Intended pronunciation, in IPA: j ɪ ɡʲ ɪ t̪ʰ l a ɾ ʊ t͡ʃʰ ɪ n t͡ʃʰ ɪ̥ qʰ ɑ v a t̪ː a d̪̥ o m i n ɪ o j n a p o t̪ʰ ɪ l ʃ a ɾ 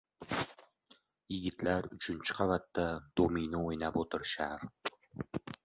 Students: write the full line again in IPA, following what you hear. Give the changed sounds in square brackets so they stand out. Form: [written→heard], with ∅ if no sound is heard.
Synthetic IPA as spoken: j ɪ ɡʲ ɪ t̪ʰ l a ɾ ʊ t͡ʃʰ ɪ n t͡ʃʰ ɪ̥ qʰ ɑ v a t̪ː a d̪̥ o m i n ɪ o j n a p o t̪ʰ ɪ [l→ɾ] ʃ a ɾ